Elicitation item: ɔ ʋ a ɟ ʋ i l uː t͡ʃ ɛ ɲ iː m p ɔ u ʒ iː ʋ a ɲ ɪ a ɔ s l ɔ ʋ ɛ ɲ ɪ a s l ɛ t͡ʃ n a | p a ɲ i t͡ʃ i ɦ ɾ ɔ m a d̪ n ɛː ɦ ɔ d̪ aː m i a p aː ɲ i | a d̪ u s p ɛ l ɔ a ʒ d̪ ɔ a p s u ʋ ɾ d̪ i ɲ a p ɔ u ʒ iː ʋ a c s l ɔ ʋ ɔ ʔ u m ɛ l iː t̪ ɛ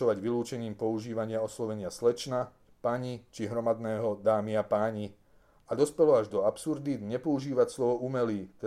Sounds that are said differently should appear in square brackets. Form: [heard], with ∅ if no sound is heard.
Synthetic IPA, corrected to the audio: ɔ ʋ a ɟ ʋ i l uː t͡ʃ ɛ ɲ iː m p ɔ u ʒ iː ʋ a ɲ ɪ a ɔ s l ɔ ʋ ɛ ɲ ɪ a s l ɛ t͡ʃ n a | p a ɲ i t͡ʃ i ɦ ɾ ɔ m a d̪ n ɛː ɦ ɔ d̪ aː m i a p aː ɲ i | a d̪ [ɔ] s p ɛ l ɔ a ʒ d̪ ɔ a p s u [∅] ɾ d̪ i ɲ [ɛ] p ɔ u ʒ iː ʋ a c s l ɔ ʋ ɔ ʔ u m ɛ l iː t̪ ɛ